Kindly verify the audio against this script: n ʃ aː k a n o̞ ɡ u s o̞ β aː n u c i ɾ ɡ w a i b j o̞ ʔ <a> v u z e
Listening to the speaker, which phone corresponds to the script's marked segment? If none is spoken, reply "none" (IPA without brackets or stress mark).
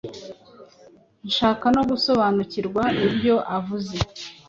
a